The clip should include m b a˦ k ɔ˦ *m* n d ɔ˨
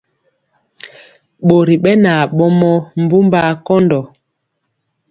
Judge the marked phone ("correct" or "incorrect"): incorrect